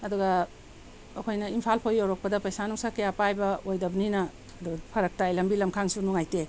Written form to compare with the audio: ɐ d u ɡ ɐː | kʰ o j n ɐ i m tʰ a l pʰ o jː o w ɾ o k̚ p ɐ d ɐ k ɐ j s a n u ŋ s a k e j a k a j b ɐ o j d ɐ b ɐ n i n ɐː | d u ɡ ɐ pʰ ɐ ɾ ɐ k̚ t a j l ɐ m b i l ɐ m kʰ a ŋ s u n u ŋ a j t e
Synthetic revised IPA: ɐ d u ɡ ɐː | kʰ o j n ɐ i m pʰ a l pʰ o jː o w ɾ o k̚ p ɐ d ɐ p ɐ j s a n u ŋ s a k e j a p a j b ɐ o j d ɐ b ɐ n i n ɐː | d u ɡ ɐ pʰ ɐ ɾ ɐ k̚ t a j l ɐ m b i l ɐ m kʰ a ŋ s u n u ŋ a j t e